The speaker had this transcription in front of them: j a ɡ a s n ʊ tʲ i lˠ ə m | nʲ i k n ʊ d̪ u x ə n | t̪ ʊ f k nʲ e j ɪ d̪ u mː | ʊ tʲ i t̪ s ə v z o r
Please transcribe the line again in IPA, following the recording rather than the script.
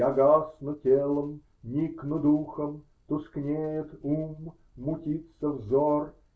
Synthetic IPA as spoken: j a ɡ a s n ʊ tʲ e lˠ ə m | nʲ i k n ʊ d̪ u x ə m | t̪ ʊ s k nʲ e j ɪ t̪ u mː | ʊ tʲ i t̪ s ə v z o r